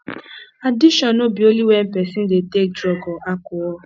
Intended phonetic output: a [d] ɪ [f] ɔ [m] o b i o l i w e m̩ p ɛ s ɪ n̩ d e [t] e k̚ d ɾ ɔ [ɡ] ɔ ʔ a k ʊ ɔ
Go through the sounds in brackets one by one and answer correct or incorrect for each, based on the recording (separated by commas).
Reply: correct, incorrect, incorrect, correct, correct